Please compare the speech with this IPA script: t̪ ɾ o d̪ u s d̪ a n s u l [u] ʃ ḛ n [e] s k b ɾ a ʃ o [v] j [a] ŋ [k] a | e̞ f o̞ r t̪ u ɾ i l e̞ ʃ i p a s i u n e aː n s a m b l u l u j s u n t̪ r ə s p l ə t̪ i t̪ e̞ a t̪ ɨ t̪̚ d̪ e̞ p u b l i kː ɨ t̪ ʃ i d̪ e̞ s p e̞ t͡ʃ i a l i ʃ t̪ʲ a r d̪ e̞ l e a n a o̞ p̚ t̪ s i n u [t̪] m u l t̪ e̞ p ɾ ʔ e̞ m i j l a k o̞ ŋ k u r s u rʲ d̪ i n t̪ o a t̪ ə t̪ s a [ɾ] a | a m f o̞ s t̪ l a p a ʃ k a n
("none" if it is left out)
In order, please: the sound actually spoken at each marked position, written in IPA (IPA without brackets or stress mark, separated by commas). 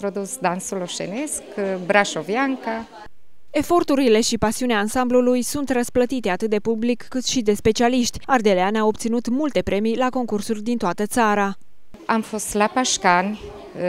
o, e, v, a, k, t̪, ɾ